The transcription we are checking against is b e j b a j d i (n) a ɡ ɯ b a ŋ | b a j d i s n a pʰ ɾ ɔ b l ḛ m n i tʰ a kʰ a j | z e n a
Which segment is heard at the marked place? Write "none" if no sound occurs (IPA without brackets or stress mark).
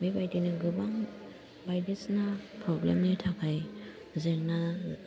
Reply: n